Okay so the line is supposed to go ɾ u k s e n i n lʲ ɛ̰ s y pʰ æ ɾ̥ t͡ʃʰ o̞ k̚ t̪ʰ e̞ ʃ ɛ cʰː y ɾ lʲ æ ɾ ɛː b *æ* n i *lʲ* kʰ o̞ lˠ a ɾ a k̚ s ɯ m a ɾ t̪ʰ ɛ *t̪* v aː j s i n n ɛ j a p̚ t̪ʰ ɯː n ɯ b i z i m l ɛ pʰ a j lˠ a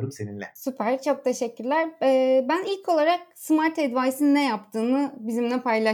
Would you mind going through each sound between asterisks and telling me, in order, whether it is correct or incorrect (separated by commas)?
correct, correct, incorrect